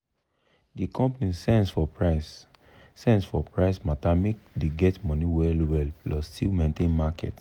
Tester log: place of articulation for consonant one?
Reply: alveolar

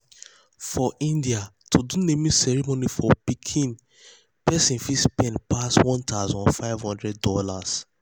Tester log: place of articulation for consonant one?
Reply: labial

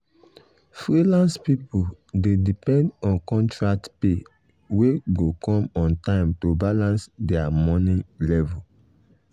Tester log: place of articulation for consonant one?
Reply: labial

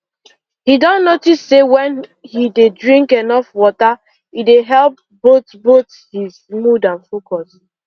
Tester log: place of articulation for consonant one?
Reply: glottal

